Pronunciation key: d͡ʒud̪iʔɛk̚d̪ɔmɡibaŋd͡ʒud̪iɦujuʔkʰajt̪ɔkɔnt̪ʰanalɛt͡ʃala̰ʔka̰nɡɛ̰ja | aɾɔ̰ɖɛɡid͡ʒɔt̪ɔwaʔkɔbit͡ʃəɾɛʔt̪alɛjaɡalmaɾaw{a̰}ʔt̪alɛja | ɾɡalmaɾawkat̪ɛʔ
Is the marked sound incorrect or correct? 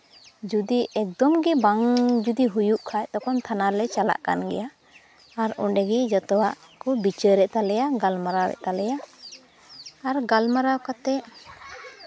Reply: incorrect: ɛ̰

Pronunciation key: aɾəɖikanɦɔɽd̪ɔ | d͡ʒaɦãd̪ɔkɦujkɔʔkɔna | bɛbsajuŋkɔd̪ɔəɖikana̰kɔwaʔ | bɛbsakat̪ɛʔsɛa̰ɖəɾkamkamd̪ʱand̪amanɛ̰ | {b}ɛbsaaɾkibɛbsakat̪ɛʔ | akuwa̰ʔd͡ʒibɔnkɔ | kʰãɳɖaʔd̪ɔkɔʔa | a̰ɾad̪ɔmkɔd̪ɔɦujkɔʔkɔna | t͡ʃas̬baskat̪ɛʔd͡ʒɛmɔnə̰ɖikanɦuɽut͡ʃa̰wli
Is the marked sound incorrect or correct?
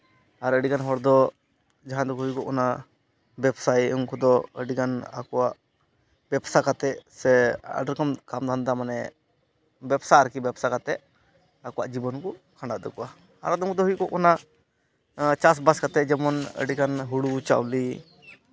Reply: correct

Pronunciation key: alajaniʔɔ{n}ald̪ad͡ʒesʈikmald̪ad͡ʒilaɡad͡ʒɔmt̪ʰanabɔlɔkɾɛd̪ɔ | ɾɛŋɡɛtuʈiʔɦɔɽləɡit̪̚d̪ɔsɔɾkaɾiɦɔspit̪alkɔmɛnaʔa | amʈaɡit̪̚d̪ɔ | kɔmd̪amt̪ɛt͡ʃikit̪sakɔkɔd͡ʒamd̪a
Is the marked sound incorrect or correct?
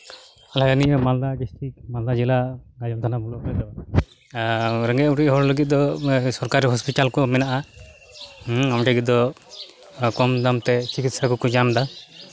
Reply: incorrect: m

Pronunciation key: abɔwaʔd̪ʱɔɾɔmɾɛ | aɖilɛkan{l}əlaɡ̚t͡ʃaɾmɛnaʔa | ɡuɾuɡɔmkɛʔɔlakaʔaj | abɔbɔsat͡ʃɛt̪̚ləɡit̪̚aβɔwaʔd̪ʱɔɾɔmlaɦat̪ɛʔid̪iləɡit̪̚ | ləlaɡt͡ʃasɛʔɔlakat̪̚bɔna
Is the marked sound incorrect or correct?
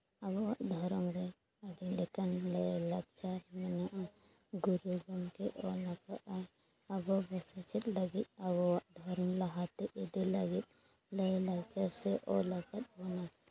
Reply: correct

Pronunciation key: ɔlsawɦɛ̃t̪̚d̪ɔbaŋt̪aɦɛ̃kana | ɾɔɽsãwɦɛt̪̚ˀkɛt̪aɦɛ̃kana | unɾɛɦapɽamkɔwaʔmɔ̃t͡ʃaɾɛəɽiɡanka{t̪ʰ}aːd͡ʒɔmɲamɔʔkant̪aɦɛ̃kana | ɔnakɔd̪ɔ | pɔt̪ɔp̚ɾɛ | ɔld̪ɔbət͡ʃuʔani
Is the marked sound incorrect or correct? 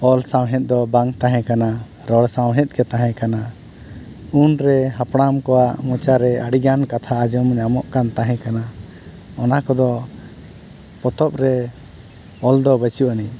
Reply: correct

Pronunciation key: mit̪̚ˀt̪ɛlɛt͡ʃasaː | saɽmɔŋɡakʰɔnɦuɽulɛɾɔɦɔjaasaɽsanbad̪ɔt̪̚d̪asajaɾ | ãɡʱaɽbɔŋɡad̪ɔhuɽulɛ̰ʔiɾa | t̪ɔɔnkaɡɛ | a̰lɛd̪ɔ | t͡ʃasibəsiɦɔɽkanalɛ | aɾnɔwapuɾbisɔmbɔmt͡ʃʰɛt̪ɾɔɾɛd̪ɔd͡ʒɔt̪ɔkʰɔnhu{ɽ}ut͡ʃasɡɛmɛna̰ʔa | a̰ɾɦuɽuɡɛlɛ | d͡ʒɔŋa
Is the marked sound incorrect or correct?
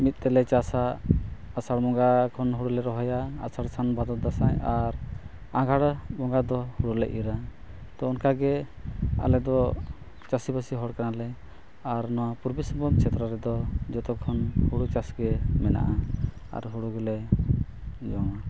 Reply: correct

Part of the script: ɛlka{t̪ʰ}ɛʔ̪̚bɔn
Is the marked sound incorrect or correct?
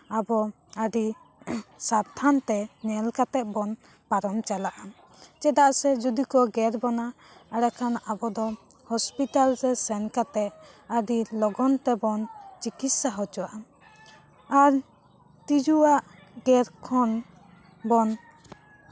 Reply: incorrect: t̪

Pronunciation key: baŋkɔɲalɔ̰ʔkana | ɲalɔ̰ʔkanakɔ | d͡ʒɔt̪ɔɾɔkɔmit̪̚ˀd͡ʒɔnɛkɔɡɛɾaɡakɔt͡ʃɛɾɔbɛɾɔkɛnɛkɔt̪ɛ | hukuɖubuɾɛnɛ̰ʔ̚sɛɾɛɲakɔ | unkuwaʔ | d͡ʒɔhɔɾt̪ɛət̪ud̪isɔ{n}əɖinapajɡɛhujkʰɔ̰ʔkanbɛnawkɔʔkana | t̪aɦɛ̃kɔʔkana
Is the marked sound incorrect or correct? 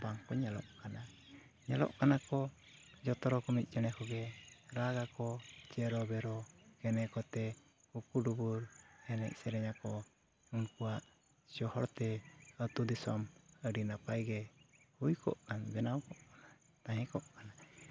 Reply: incorrect: m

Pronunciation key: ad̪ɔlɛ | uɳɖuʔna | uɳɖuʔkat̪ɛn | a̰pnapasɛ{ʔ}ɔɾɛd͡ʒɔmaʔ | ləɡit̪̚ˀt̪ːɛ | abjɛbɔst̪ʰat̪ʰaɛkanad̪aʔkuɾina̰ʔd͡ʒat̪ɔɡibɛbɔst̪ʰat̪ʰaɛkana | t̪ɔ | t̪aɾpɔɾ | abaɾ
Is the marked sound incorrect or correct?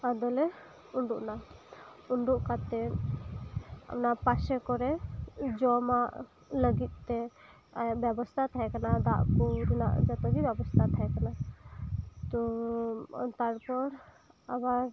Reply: incorrect: k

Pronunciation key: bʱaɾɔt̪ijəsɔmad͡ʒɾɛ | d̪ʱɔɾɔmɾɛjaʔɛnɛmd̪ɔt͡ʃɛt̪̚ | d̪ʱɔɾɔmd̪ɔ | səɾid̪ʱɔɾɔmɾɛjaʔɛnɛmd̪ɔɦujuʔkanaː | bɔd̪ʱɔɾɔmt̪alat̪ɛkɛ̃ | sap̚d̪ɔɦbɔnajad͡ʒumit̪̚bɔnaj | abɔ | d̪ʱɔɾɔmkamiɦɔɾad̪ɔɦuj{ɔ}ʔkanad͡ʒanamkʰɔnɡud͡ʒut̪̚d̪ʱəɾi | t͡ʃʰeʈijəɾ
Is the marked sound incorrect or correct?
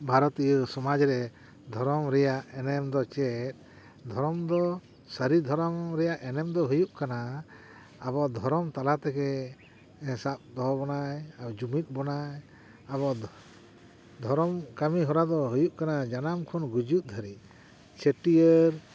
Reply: incorrect: u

